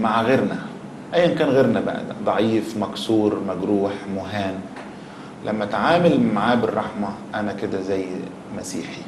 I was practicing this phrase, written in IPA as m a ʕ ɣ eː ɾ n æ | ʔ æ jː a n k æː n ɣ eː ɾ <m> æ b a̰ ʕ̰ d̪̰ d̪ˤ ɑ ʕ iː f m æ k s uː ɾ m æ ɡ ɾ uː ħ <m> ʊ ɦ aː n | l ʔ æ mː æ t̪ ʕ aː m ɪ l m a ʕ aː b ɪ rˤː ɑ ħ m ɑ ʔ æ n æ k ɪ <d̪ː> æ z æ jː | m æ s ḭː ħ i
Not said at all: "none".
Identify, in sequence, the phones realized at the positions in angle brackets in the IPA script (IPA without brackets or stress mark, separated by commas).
n, m, d̪